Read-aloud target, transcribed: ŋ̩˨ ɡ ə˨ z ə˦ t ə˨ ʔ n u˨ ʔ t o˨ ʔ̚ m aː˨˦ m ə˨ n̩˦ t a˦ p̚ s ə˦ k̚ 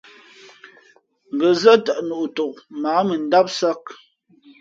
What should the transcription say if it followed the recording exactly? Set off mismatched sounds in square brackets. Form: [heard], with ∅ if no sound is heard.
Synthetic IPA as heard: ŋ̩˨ ɡ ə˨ z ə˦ t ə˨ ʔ n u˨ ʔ t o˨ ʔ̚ m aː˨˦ m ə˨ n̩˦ [d] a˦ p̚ s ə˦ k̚